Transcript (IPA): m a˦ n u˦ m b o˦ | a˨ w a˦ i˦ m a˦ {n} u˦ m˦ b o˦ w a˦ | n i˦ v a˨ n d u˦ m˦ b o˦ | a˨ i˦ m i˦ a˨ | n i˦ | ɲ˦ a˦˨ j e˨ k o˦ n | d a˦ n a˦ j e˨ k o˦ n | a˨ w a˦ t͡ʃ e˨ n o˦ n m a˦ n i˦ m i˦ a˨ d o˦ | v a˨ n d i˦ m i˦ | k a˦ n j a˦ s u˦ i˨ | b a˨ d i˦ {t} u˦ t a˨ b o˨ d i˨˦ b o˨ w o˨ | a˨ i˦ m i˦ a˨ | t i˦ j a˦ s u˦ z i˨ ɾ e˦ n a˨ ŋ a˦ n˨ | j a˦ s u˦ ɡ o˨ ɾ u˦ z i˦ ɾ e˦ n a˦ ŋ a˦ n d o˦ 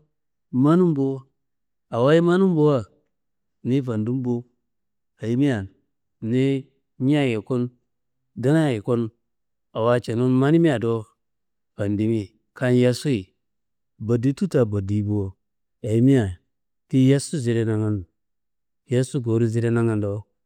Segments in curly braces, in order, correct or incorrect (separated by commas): correct, correct